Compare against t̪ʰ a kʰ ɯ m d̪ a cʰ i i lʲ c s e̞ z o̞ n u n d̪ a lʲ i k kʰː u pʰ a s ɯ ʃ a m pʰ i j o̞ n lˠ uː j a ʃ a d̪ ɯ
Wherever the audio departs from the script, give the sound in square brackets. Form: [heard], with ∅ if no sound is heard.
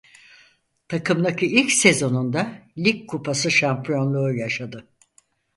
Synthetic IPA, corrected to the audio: t̪ʰ a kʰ ɯ m d̪ a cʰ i i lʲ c s e̞ z o̞ n u n d̪ a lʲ i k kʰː u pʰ a s ɯ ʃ a m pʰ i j o̞ n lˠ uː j a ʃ a d̪ ɯ